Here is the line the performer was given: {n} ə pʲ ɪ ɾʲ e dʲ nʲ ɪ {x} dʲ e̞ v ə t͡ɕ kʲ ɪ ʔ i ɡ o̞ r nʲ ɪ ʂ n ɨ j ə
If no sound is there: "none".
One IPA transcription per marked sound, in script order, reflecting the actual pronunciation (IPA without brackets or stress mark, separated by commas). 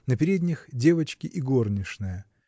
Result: n, x